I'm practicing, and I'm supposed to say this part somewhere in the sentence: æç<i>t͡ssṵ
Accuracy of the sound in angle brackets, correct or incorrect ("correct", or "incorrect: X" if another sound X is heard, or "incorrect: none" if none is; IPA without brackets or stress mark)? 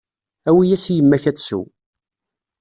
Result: incorrect: æ